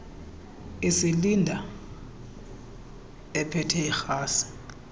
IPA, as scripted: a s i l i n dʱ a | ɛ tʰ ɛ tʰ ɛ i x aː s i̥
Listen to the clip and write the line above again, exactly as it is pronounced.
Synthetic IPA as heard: i s i l i n dʱ a | ɛ pʰ ɛ tʰ ɛ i x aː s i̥